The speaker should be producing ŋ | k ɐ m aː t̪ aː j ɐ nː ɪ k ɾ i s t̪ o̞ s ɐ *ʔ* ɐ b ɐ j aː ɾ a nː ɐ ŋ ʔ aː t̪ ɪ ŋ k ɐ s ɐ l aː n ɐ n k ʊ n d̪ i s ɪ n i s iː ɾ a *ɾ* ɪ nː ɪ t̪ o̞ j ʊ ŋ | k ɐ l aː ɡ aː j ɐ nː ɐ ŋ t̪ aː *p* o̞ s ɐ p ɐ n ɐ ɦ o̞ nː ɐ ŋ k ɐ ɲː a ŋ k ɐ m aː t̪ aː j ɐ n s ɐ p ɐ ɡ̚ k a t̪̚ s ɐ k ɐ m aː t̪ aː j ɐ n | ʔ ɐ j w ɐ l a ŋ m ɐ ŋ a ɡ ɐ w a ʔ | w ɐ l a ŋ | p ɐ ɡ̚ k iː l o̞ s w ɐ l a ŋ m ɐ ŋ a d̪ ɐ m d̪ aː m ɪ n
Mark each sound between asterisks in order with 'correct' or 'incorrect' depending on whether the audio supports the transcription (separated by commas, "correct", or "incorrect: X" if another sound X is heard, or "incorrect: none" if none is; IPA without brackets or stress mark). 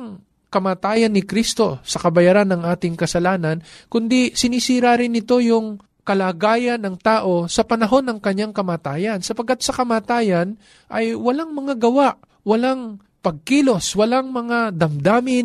incorrect: k, correct, incorrect: ʔ